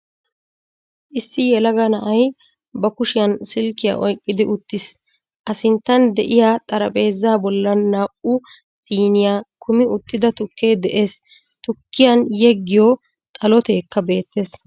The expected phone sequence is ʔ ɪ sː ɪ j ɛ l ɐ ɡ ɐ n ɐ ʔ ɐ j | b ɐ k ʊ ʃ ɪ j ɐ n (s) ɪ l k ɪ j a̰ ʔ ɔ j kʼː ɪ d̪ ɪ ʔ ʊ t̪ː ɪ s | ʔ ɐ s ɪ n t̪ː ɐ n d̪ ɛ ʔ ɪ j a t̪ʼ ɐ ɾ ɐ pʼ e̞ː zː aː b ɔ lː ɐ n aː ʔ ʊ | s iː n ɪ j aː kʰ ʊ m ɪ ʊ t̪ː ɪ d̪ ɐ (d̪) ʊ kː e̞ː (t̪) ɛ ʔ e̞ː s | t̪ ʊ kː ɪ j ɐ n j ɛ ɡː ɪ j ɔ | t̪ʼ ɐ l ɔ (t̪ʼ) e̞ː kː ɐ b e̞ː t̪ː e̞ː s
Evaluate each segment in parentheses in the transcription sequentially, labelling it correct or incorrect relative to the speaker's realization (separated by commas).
correct, incorrect, incorrect, incorrect